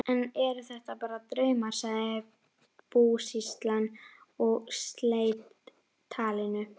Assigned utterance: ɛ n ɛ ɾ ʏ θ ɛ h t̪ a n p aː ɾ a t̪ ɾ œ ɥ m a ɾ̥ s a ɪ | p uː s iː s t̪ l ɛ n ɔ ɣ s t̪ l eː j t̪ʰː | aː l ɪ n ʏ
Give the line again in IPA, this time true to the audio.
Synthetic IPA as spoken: ɛ n ɛ ɾ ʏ θ ɛ h t̪ a p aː ɾ a t̪ ɾ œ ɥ m a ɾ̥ s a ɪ | p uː s i s t̪ l a n ɔ ɣ s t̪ l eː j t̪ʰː | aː l ɪ n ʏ